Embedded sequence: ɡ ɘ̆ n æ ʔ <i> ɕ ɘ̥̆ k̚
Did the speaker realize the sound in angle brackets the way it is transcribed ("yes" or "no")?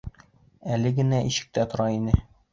yes